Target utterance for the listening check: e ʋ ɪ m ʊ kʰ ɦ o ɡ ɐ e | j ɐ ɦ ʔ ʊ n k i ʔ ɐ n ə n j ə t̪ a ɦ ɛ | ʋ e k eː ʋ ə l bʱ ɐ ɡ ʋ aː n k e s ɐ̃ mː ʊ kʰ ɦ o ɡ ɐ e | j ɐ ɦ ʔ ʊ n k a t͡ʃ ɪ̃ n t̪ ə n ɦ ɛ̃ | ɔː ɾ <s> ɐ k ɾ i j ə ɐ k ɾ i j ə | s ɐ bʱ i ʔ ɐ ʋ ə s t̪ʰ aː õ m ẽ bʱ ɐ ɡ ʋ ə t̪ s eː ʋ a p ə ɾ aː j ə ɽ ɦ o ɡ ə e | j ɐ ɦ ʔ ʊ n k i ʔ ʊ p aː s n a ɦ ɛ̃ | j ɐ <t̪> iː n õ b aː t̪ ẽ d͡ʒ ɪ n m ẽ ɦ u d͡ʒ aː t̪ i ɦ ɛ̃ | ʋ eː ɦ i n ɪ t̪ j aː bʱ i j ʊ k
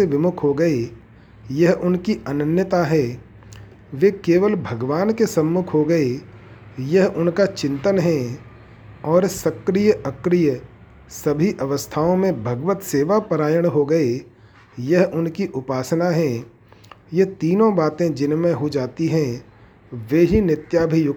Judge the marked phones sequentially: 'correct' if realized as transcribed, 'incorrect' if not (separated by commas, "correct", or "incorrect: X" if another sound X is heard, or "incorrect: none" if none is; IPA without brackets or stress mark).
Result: correct, correct